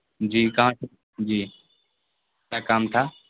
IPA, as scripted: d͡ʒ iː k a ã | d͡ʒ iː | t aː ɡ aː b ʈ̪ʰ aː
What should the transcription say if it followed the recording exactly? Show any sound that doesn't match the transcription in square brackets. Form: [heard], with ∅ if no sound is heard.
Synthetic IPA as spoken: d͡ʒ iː k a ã | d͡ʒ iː | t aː [k] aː [m] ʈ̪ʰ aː